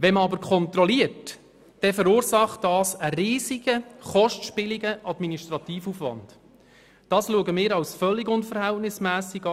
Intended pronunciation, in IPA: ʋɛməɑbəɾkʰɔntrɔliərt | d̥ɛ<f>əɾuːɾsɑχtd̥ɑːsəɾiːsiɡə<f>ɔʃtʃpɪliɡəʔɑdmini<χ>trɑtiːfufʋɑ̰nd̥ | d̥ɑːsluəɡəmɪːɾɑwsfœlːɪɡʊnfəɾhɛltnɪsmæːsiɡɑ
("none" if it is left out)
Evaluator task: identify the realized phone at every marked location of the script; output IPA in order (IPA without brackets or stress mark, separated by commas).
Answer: f, χ, ʃ